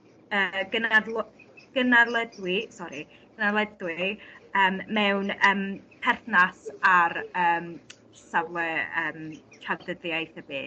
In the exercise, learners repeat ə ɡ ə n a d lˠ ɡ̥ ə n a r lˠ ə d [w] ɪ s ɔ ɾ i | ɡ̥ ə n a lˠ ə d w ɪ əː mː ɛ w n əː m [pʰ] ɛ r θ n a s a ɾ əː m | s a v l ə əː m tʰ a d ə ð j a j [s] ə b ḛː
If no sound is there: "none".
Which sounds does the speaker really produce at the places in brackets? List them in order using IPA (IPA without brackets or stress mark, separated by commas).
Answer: w, pʰ, θ